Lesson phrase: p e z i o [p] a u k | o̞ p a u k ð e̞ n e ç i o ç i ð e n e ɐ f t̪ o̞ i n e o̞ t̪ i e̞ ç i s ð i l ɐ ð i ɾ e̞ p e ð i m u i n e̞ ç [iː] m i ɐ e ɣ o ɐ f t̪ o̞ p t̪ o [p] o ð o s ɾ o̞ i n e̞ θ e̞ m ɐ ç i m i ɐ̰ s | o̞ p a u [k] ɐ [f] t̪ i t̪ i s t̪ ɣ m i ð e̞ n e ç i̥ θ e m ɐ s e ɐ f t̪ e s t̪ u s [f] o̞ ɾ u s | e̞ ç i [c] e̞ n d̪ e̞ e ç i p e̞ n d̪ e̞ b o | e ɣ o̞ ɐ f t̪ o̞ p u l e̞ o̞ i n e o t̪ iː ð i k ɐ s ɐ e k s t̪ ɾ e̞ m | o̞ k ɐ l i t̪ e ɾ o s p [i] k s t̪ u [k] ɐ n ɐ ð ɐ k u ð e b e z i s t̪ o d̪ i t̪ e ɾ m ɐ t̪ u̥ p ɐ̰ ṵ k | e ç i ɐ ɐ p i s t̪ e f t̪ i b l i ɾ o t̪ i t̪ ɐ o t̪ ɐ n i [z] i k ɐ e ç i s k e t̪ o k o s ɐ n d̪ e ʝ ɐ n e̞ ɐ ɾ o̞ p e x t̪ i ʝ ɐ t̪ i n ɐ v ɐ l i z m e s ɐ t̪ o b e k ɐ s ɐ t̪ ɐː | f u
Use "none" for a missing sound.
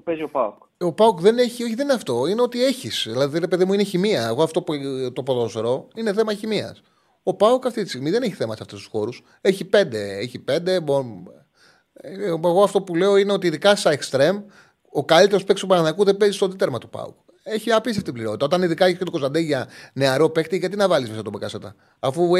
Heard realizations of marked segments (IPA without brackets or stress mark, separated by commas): p, i, p, k, f, x, p, e, p, ð